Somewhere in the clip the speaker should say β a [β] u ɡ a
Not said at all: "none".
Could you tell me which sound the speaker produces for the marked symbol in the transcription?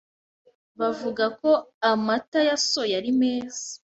v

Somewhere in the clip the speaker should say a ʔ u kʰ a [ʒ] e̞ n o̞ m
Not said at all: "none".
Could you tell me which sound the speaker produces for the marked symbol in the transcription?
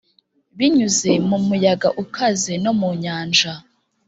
z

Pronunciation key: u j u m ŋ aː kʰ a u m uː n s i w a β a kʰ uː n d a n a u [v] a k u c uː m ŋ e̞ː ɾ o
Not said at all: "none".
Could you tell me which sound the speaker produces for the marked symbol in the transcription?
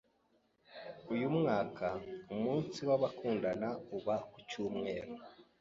β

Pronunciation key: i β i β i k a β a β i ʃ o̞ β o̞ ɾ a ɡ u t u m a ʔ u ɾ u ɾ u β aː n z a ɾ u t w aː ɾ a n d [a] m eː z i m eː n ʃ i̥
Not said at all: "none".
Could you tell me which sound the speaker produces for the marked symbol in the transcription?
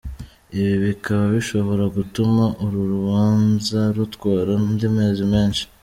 i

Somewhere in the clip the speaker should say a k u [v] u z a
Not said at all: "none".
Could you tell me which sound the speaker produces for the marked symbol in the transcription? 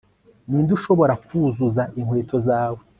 z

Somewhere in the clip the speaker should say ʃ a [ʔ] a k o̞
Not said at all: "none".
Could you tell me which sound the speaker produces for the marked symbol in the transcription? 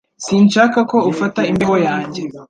k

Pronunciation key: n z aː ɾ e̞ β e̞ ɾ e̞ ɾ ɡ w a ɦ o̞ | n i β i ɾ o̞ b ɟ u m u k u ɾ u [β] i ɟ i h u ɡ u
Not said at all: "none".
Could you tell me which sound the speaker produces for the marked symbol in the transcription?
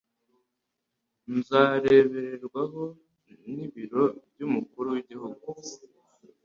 w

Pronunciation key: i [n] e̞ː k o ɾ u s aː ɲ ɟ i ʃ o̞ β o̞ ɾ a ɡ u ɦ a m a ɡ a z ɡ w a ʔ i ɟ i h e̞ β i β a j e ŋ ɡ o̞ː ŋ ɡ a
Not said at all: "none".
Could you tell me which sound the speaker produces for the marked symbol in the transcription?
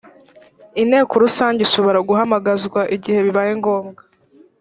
n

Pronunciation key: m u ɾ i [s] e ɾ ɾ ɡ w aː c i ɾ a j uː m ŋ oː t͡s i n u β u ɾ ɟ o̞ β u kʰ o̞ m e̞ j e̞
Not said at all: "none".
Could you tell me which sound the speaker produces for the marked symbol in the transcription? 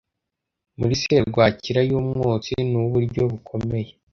s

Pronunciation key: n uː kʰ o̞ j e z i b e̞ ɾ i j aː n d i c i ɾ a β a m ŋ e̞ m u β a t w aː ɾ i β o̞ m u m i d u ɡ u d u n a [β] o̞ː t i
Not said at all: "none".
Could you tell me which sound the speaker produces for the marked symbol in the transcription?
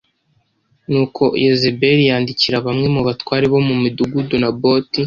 b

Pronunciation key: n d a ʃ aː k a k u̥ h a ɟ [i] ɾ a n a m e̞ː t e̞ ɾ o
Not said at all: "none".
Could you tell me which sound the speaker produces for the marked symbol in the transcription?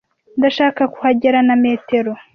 e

